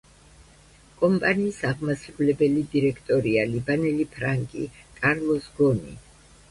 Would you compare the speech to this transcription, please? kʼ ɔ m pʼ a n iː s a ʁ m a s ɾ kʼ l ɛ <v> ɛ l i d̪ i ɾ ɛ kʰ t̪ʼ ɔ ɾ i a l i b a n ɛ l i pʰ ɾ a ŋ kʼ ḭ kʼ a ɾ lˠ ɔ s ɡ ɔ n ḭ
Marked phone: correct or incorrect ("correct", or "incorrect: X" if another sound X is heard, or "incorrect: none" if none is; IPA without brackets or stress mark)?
incorrect: b